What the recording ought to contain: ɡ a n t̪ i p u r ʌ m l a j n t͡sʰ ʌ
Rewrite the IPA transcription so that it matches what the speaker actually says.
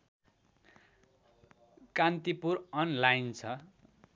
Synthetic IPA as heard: k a n t̪ i p u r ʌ n l a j n t͡sʰ ʌ